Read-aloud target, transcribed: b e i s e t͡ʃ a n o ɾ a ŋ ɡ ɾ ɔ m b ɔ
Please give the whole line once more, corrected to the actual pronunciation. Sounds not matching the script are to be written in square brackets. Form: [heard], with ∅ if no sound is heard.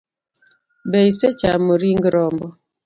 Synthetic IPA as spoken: b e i s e t͡ʃ a [m] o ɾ [i] ŋ ɡ ɾ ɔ m b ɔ